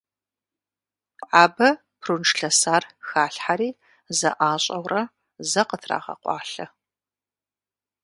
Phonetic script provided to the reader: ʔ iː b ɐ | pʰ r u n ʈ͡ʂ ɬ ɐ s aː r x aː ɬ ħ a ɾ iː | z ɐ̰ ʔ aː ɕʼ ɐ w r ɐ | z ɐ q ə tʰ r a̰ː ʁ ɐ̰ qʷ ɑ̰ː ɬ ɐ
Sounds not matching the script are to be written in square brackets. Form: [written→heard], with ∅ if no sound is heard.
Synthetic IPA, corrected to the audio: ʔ [iː→aː] b ɐ | pʰ r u n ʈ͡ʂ ɬ ɐ s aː r x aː ɬ ħ a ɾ iː | z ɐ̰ ʔ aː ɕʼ ɐ w r ɐ | z ɐ q ə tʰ r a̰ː ʁ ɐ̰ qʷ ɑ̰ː ɬ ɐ